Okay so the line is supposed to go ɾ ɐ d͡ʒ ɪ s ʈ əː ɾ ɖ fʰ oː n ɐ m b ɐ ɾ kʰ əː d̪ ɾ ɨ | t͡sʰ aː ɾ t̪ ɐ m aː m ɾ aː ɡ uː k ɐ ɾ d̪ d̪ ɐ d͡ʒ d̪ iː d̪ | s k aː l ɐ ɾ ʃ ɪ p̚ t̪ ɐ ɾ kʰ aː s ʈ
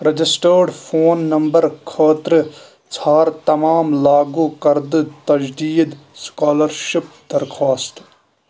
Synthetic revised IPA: ɾ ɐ d͡ʒ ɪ s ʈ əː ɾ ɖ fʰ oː nː ɐ m b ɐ ɾ kʰ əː t̪ ɾ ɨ | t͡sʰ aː ɾ t̪ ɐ m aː m l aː ɡ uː k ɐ ɾ d̪ t̪ ɐ d͡ʒ d̪ iː d̪ | s k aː l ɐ ɾ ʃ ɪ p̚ d̪ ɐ ɾ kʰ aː s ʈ